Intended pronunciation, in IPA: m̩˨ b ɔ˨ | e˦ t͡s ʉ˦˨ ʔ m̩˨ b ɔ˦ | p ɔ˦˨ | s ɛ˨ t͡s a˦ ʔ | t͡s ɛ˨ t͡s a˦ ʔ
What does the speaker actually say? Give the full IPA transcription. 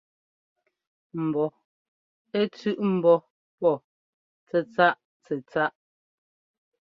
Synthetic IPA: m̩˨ b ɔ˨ | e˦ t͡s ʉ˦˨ ʔ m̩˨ b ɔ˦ | p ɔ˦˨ | t͡s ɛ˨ t͡s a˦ ʔ | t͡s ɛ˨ t͡s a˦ ʔ